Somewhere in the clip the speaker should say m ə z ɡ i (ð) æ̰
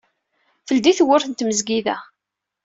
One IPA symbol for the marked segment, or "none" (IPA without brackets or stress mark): ð